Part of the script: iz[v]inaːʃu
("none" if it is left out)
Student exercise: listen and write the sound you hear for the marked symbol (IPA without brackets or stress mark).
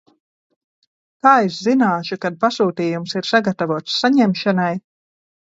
z